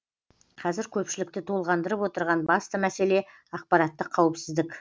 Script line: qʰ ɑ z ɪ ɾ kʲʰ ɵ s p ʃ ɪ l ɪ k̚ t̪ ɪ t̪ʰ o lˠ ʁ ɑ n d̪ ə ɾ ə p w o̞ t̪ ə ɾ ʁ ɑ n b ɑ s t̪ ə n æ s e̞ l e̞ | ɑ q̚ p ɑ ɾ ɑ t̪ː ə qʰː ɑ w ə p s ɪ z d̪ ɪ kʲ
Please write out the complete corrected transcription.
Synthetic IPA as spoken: qʰ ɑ z ɪ ɾ kʲʰ ɵ p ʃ ɪ l ɪ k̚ t̪ ɪ t̪ʰ o lˠ ʁ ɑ n d̪ ə ɾ ə p w o̞ t̪ ə ɾ ʁ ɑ n b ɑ s t̪ ə m æ s e̞ l e̞ | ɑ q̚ p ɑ ɾ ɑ t̪ː ə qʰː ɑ w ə p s ɪ z d̪ ɪ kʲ